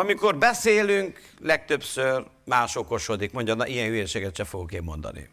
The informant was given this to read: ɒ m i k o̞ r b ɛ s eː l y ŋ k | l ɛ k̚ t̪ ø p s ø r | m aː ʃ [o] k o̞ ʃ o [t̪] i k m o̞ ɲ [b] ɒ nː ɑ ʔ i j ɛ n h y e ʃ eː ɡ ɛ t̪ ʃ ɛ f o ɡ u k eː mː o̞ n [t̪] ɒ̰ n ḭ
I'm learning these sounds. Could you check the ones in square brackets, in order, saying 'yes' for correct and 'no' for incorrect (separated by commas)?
yes, no, no, no